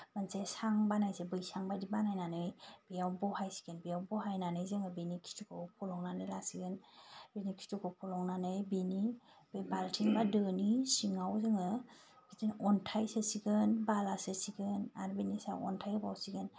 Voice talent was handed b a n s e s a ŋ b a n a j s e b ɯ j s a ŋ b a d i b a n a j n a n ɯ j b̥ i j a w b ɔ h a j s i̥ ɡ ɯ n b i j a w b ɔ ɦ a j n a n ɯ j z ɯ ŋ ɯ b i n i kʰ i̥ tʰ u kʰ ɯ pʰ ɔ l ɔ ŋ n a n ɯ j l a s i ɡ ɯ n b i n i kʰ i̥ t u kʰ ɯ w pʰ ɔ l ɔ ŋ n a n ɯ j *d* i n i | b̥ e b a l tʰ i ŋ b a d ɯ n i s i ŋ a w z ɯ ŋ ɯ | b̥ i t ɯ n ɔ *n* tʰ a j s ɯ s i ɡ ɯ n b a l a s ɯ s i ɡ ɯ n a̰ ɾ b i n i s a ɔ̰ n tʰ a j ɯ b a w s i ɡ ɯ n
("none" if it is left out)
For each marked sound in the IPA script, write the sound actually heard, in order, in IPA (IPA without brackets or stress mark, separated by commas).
b, n